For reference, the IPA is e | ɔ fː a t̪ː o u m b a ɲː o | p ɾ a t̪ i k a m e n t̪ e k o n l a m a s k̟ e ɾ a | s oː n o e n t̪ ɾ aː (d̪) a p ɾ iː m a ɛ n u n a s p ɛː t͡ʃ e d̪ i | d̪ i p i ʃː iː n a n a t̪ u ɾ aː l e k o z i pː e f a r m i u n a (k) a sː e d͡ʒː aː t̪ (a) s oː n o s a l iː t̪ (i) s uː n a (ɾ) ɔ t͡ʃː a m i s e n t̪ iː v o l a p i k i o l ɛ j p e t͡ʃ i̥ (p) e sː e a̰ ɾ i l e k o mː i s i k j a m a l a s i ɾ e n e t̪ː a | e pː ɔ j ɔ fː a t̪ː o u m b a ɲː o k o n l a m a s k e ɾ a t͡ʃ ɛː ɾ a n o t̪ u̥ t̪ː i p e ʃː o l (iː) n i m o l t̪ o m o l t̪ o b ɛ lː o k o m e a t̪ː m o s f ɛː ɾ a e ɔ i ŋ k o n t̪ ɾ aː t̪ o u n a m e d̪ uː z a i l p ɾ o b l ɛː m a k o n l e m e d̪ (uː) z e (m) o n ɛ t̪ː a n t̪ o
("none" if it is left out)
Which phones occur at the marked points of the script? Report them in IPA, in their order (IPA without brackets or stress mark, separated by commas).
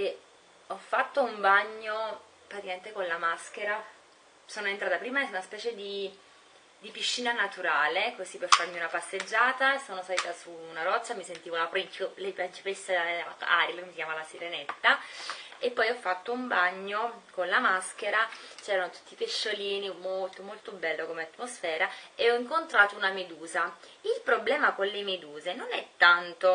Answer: t̪, p, a, a, ɾ, p, iː, uː, n